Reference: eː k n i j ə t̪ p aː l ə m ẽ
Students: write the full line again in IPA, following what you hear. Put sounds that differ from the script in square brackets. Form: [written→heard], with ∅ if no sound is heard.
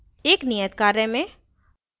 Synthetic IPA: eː k n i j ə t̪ [p→k] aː [l→ɾ] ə m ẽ